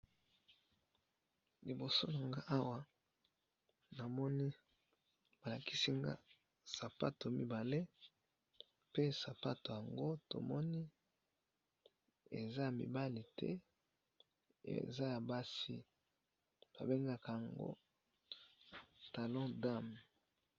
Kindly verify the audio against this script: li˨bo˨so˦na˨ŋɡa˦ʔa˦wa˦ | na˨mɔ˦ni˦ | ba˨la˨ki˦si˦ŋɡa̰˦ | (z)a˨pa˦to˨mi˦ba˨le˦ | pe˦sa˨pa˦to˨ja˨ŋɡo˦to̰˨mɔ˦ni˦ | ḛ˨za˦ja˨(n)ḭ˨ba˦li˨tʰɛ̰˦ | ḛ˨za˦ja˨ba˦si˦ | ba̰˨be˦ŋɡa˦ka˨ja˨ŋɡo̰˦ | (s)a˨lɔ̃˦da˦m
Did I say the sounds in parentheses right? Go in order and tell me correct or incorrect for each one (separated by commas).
incorrect, incorrect, incorrect